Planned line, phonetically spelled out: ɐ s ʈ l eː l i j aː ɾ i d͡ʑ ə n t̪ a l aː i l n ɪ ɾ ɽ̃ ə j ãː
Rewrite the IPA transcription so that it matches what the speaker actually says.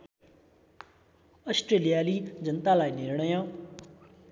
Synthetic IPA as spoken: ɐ s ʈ ɾ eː l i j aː l i d͡ʑ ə n t̪ a l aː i n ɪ ɾ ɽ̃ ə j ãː